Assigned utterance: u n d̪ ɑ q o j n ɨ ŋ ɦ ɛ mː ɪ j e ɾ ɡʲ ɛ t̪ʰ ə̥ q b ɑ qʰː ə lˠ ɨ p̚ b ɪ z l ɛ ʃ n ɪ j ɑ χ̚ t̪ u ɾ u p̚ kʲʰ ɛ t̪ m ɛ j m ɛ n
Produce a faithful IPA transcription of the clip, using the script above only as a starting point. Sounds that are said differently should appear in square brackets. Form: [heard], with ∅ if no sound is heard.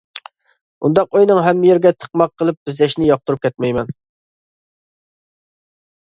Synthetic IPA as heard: u n d̪ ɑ q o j n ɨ ŋ ɦ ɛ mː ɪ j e ɾ ɡʲ ɛ t̪ʰ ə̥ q [m] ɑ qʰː ə lˠ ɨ p̚ b ɪ z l ɛ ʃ n ɪ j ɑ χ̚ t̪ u ɾ u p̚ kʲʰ ɛ t̪ m ɛ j m ɛ n